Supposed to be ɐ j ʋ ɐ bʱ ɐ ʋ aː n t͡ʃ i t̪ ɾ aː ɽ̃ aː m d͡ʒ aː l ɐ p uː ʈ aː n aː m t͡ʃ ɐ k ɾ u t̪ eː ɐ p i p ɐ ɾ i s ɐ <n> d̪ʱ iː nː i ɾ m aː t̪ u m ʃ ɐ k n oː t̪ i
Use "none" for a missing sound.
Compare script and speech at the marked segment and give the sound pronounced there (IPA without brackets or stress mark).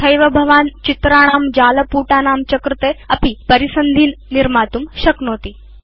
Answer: n